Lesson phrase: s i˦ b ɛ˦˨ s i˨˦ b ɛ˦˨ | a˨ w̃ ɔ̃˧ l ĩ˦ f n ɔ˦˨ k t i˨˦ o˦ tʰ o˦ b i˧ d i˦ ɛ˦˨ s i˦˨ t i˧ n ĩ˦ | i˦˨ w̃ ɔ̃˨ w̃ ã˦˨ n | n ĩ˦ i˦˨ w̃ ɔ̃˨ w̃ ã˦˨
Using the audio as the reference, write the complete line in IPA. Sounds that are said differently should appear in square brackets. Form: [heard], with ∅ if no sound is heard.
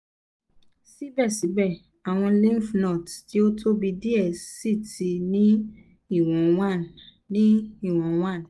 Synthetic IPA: s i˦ b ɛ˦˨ s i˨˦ b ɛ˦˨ | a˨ w̃ ɔ̃˧ l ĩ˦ f n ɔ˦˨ [t] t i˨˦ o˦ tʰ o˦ b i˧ d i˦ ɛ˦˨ s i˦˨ t i˧ n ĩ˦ | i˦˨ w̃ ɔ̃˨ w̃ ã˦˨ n | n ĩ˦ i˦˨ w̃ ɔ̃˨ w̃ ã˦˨